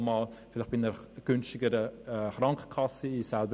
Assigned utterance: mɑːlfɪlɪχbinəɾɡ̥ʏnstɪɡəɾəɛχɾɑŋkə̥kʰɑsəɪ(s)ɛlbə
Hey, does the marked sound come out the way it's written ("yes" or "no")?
yes